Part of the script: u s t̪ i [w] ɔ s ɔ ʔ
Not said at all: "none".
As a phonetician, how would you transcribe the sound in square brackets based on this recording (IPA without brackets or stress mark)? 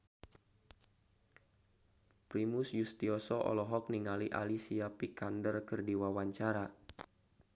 none